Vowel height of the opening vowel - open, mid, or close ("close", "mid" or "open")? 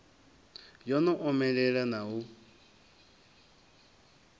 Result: mid